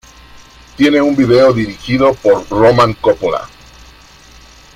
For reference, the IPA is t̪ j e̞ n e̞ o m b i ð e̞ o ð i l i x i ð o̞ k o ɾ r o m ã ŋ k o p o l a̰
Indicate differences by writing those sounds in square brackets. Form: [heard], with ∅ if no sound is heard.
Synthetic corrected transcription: t̪ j e̞ n e̞ [u] m b i ð e̞ o ð i [ɾ] i x i ð o̞ [p] o ɾ r o m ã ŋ k o p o l a̰